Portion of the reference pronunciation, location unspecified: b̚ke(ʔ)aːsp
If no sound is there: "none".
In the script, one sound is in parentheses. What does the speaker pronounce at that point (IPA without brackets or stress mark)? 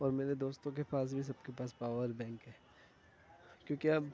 p